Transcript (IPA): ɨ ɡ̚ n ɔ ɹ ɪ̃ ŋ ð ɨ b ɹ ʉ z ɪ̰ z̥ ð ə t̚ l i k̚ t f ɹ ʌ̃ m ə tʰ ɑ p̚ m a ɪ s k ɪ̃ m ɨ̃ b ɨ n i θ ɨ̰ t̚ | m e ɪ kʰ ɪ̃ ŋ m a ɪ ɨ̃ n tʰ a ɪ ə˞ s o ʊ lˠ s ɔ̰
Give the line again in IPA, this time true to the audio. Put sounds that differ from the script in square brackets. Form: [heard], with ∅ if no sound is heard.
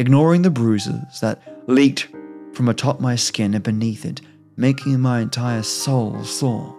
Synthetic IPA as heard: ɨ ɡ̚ n ɔ ɹ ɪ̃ ŋ ð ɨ b ɹ ʉ z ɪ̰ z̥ ð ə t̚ l i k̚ t f ɹ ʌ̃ m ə tʰ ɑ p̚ m a ɪ s k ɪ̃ [n] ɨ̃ b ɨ n i θ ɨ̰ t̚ | m e ɪ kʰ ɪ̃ ŋ m a ɪ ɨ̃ n tʰ a ɪ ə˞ s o ʊ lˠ s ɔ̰